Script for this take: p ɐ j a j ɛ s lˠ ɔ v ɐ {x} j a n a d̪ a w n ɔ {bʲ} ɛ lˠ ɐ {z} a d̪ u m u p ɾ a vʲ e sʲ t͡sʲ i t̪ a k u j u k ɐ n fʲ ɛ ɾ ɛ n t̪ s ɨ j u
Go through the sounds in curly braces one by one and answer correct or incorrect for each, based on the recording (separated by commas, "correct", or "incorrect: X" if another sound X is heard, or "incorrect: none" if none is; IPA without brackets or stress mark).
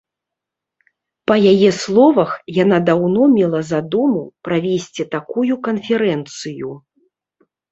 correct, incorrect: mʲ, correct